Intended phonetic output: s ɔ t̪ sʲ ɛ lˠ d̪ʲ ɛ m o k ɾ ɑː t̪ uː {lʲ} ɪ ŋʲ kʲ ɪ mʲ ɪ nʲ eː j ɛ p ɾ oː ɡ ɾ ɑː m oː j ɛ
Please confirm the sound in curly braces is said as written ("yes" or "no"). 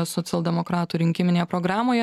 no